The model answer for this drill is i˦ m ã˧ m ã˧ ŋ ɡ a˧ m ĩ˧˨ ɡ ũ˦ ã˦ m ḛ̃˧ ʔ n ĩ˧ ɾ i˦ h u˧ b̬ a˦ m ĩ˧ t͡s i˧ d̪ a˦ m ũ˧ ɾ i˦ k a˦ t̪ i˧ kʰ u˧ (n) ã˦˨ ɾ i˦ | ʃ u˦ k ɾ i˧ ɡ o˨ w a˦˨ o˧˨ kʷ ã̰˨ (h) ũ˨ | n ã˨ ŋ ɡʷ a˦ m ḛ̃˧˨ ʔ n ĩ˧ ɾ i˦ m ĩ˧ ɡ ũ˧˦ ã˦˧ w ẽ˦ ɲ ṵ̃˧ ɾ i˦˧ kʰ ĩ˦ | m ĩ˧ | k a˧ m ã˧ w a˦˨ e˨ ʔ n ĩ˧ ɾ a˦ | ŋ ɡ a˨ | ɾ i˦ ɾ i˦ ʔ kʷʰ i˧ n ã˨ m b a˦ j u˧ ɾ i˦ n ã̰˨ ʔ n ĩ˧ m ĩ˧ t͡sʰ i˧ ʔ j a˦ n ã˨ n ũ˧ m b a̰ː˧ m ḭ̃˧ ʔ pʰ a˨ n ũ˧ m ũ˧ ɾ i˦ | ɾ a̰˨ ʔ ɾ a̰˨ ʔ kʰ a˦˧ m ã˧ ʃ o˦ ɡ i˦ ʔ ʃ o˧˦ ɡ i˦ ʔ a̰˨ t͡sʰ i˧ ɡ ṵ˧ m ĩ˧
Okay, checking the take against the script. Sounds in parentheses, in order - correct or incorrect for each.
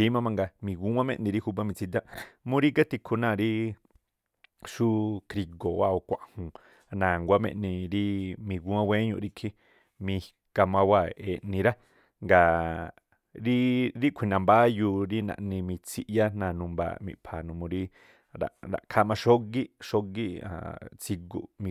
correct, correct

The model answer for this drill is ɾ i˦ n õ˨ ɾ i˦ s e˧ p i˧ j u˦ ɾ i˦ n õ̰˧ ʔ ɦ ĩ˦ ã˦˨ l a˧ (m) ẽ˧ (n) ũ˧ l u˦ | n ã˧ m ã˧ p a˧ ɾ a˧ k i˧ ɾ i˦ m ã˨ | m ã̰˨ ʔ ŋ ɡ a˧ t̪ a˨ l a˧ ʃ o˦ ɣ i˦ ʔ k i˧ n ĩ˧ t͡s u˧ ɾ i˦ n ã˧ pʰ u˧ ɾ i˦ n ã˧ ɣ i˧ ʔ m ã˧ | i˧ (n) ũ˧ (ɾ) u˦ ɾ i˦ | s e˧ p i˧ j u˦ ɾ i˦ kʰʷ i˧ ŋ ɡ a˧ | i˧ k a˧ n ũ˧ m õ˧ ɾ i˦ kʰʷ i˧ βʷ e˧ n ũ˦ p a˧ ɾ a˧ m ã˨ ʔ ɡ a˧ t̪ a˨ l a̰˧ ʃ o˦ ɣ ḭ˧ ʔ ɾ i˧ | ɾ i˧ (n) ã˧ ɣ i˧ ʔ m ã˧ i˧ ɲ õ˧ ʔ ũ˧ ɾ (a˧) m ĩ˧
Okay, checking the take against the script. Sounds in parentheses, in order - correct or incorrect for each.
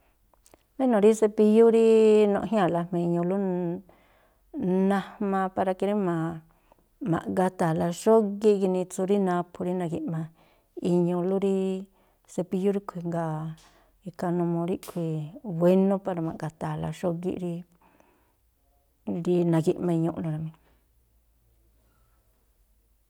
correct, incorrect, incorrect, incorrect, correct, correct

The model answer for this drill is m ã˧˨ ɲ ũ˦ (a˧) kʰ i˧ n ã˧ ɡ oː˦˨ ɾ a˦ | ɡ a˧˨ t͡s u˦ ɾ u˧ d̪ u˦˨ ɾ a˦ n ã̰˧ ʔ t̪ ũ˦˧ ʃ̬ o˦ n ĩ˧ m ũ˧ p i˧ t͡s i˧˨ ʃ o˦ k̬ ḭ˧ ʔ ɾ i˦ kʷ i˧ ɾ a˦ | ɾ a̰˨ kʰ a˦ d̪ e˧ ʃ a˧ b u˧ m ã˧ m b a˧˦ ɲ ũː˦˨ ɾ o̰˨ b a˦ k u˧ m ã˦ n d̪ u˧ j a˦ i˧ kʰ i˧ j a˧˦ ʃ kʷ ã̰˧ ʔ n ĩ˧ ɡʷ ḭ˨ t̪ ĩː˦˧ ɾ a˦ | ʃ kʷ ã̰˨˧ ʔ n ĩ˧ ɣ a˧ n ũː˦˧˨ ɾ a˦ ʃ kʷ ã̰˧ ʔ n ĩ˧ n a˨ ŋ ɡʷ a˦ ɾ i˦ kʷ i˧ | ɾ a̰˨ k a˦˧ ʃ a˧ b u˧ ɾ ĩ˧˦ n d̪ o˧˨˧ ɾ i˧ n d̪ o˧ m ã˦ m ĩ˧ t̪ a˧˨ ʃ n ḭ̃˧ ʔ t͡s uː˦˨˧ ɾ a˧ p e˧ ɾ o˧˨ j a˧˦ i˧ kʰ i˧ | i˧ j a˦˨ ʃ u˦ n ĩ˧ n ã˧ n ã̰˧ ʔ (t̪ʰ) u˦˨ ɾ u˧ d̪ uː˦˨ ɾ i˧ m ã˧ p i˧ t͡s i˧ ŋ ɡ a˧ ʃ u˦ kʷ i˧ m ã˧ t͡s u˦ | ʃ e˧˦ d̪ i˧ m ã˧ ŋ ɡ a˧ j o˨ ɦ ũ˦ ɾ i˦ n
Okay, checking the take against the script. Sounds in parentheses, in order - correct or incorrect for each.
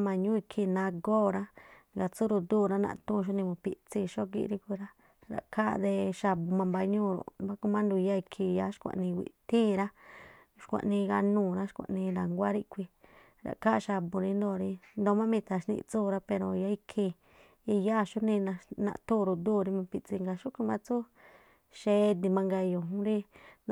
incorrect, incorrect

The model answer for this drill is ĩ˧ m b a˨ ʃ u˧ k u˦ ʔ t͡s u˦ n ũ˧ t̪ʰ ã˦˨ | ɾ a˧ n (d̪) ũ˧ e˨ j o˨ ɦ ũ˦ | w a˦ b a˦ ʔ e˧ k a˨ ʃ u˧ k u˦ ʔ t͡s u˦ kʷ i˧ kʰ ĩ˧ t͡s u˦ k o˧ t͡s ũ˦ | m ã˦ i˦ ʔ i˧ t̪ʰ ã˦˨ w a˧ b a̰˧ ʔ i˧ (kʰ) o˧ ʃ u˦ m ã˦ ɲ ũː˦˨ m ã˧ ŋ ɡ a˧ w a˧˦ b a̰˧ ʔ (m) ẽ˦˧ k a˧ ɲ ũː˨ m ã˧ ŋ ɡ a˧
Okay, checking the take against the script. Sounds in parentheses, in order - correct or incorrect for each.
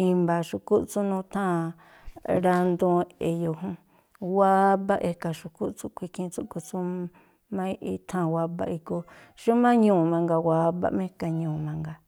correct, incorrect, correct

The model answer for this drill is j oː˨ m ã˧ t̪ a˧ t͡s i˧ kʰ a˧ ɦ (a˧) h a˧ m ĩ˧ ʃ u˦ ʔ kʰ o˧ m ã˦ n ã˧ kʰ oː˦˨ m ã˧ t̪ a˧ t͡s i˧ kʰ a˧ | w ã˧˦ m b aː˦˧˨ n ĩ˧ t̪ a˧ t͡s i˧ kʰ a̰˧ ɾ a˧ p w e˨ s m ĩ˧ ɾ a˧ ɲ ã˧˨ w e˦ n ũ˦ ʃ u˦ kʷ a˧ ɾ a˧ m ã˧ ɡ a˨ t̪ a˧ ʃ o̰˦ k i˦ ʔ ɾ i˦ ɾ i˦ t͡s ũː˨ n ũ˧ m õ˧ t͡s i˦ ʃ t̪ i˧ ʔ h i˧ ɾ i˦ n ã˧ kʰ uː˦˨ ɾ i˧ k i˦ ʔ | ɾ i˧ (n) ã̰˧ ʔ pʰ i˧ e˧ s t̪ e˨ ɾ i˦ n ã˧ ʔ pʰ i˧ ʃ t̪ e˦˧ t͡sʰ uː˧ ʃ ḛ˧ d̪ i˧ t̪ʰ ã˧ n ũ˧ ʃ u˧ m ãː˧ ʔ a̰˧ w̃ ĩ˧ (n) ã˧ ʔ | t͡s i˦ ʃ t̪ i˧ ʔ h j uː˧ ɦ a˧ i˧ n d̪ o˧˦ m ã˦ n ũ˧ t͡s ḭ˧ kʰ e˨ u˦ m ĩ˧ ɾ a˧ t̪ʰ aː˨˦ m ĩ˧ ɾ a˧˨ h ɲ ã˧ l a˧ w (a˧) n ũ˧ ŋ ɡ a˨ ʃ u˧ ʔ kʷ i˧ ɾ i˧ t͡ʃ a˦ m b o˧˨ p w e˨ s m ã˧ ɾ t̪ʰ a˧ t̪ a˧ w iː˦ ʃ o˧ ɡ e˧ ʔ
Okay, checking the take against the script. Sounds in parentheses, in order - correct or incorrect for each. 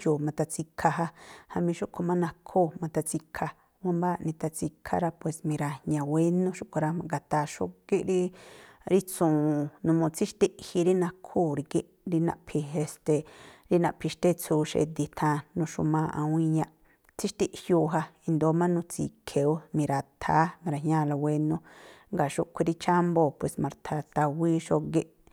correct, correct, incorrect, incorrect

